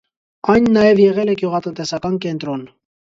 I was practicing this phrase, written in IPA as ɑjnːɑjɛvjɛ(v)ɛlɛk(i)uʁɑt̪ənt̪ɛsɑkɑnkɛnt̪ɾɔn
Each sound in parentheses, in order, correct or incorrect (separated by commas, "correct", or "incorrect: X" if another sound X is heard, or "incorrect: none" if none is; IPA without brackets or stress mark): incorrect: ʁ, incorrect: j